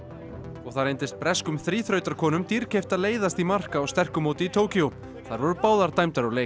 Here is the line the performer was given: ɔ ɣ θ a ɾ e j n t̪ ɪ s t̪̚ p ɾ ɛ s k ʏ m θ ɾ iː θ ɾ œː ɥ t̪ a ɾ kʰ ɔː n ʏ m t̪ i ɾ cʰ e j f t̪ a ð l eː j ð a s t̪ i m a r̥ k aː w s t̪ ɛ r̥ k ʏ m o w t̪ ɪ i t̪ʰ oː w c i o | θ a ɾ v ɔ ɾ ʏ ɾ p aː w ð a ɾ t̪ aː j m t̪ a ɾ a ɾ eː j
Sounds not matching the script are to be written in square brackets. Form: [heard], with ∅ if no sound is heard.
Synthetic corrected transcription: ɔ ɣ θ a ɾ e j n t̪ ɪ s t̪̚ p ɾ ɛ s k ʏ m θ ɾ iː θ ɾ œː ɥ t̪ a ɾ kʰ ɔː n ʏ m t̪ i ɾ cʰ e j f t̪ a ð l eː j ð a s t̪ i m a r̥ k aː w s t̪ ɛ r̥ k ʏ m o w t̪ ɪ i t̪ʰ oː w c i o | θ a ɾ v ɔ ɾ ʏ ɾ p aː w ð a ɾ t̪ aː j m t̪ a ɾ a [l] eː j